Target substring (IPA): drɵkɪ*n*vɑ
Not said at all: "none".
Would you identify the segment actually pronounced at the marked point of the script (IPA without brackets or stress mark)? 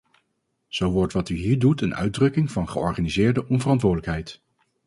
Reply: ŋ